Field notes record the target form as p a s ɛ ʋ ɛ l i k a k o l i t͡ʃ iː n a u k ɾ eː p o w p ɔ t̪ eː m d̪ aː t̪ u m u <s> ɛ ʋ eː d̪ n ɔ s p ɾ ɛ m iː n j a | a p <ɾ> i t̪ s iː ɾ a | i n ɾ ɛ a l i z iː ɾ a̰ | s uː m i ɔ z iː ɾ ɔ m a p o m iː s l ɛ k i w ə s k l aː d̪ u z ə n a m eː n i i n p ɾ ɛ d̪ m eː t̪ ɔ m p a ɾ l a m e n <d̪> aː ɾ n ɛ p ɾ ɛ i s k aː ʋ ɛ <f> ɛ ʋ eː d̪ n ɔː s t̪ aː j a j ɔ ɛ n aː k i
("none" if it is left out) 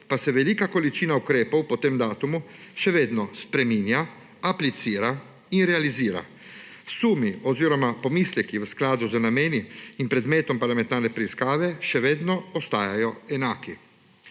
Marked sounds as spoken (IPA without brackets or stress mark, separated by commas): ʃ, l, t̪, ʃ